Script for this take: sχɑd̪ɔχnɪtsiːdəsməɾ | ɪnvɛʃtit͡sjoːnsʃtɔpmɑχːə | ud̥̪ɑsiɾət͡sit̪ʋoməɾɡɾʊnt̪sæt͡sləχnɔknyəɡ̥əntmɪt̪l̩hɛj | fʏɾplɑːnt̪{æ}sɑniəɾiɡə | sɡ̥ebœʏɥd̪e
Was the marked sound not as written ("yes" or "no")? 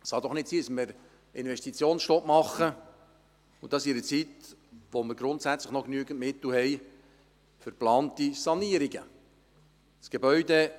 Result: yes